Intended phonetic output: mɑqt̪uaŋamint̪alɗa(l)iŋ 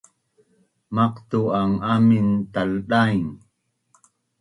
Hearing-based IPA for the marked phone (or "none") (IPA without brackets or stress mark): none